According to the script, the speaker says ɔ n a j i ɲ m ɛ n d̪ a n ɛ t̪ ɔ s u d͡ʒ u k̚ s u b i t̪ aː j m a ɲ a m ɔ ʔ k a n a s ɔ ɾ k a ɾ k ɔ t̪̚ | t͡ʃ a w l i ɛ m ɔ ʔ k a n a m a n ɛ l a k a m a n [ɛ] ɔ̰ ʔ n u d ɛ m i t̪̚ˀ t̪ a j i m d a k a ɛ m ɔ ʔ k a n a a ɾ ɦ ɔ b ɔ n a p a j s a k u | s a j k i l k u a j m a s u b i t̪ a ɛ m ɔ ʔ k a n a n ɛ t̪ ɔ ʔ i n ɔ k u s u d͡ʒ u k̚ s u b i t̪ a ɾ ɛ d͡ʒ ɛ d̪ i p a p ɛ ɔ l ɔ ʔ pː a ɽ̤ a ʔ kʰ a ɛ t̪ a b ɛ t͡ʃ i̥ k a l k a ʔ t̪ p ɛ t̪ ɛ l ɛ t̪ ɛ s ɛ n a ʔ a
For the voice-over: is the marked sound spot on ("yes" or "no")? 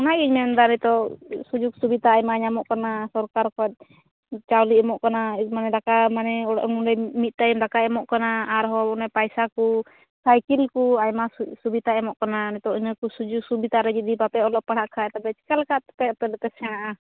yes